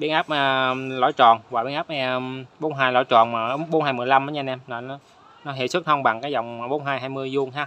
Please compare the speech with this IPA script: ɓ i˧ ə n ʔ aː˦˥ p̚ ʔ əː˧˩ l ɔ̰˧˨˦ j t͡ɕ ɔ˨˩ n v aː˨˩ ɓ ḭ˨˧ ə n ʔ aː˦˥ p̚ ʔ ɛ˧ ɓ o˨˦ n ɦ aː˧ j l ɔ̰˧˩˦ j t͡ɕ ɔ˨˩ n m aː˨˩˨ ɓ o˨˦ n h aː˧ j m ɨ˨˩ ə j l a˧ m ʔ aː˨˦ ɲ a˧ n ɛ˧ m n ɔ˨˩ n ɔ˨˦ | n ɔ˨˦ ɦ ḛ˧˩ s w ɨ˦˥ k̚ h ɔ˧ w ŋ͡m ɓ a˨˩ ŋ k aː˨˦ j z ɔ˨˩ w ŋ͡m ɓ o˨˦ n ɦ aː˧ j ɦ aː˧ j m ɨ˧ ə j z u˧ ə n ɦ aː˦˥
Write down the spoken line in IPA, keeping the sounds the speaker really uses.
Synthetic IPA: ɓ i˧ ə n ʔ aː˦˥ p̚ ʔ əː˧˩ l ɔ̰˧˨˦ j t͡ɕ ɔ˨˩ n v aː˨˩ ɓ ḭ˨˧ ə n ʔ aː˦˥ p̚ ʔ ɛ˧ ɓ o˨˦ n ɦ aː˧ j l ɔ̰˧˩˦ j t͡ɕ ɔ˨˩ n m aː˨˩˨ ɓ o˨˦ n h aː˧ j m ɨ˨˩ ə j l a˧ m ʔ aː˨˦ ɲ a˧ n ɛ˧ m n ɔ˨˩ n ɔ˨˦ | n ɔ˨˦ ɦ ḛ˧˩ s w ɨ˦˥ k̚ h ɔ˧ w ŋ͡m ɓ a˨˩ ŋ k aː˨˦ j z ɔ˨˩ w ŋ͡m ɓ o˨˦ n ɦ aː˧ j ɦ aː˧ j m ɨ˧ ə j z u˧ ə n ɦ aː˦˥

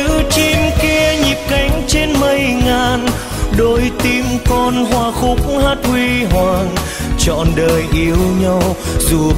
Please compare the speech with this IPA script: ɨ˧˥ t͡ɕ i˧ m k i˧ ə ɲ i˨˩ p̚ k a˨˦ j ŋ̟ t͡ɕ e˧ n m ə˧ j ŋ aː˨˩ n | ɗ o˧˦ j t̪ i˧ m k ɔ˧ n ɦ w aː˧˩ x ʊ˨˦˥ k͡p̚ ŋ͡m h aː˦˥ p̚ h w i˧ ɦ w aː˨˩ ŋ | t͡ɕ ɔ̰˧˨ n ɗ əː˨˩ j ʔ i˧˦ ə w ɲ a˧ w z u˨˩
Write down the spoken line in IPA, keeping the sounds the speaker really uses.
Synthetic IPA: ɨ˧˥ t͡ɕ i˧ m k i˧ ə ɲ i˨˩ p̚ k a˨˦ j ŋ̟ t͡ɕ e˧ n m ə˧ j ŋ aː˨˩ n | ɗ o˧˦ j t̪ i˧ m k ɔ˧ n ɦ w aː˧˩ x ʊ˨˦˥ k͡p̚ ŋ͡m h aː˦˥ t̚ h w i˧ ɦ w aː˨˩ ŋ | t͡ɕ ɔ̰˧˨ n ɗ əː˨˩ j ʔ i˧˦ ə w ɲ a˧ w z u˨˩

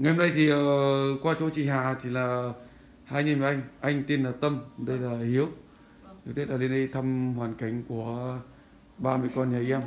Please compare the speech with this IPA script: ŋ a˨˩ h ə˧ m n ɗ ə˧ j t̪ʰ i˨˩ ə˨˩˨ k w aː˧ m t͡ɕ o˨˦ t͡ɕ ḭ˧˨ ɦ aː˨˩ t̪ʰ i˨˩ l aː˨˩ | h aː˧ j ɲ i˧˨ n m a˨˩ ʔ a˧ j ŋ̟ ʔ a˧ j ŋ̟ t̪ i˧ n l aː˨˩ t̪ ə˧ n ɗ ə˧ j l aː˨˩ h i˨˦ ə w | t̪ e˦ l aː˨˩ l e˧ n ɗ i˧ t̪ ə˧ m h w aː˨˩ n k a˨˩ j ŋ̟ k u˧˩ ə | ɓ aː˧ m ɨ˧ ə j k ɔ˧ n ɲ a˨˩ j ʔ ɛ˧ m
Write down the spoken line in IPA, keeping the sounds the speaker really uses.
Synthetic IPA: ŋ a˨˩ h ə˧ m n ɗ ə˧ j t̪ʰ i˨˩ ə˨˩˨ k w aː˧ t͡ɕ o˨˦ t͡ɕ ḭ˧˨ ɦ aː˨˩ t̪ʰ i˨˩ l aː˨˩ | h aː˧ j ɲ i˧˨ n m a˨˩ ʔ a˧ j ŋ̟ ʔ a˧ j ŋ̟ t̪ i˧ n l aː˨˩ t̪ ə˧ m ɗ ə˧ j l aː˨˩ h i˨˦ ə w | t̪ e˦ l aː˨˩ l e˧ n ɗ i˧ t̪ʰ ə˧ m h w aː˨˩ n k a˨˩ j ŋ̟ k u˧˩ ə | ɓ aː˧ m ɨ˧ ə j k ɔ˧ n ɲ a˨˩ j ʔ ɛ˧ m

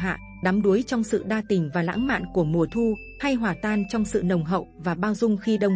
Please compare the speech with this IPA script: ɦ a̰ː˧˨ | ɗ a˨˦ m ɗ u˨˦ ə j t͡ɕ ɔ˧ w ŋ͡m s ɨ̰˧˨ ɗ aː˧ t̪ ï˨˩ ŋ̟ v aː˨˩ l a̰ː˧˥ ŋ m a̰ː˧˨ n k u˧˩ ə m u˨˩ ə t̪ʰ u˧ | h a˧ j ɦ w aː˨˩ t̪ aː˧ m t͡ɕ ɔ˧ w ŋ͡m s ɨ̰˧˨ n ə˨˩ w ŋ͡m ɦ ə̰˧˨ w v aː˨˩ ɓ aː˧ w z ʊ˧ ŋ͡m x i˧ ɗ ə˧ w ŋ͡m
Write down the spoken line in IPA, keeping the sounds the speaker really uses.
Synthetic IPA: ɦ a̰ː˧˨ | ɗ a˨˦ m ɗ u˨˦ ə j t͡ɕ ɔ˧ w ŋ͡m s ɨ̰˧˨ ɗ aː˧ t̪ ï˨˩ ŋ̟ v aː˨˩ l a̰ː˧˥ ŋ m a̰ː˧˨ n k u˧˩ ə m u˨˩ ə t̪ʰ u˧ | h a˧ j ɦ w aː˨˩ t̪ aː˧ n t͡ɕ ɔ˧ w ŋ͡m s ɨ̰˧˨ n ə˨˩ w ŋ͡m ɦ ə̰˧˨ w v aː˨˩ ɓ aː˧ w z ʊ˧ ŋ͡m x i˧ ɗ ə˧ w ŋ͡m

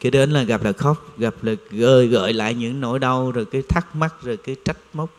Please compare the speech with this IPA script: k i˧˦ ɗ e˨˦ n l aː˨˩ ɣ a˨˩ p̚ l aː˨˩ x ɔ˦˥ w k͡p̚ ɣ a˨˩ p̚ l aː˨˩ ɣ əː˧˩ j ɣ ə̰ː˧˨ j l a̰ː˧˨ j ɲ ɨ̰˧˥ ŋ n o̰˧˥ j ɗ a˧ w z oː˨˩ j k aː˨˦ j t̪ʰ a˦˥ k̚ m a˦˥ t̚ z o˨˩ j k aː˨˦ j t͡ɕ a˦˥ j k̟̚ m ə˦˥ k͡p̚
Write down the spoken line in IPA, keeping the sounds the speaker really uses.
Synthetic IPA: k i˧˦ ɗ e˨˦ n l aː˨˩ ɣ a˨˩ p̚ l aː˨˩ x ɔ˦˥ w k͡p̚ ɣ a˨˩ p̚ l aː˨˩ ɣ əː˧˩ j ɣ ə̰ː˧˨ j l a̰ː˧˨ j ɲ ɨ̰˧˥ ŋ n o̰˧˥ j ɗ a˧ w z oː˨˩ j k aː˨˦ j t̪ʰ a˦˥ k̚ m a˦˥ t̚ z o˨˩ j k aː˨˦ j t͡ɕ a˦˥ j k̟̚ m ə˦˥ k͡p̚

